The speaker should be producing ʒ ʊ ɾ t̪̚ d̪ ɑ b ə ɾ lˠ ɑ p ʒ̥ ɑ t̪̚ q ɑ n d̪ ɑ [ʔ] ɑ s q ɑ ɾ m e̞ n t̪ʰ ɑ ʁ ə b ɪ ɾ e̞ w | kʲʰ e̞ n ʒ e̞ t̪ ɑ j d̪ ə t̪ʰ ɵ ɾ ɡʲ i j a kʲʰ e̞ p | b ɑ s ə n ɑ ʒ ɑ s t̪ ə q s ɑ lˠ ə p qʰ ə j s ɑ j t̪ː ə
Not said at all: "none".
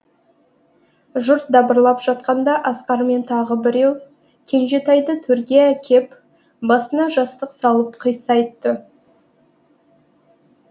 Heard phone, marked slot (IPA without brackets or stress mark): ʔ